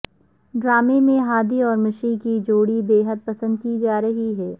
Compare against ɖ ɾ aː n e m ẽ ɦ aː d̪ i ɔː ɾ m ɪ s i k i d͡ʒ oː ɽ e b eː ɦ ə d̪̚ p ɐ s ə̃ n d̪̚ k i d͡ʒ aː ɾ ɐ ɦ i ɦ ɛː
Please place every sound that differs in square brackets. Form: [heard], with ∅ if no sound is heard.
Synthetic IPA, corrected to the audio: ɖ ɾ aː [m] e m ẽ ɦ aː d̪ i ɔː ɾ m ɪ [ʃ] i k i d͡ʒ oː ɽ [i] b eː ɦ ə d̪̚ p ɐ s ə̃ n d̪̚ k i d͡ʒ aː ɾ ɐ ɦ i ɦ ɛː